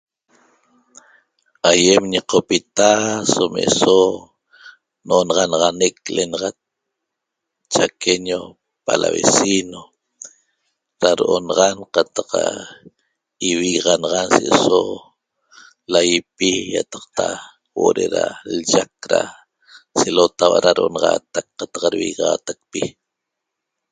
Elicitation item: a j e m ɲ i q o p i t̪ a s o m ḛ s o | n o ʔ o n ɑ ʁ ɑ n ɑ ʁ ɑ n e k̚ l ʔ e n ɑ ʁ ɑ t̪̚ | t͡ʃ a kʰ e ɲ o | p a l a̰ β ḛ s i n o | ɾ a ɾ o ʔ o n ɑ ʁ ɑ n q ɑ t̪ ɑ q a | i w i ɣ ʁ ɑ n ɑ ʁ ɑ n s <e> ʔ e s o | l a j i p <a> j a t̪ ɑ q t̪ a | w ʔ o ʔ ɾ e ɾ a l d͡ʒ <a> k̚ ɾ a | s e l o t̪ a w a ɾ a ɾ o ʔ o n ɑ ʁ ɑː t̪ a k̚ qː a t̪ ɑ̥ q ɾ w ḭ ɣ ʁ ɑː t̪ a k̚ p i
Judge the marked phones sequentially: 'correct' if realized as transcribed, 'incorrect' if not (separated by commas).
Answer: correct, incorrect, correct